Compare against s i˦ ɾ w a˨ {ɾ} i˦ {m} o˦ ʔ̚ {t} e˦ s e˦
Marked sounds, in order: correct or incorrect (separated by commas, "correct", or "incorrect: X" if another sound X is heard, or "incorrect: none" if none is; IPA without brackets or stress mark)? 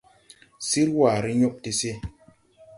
correct, incorrect: ɲ, correct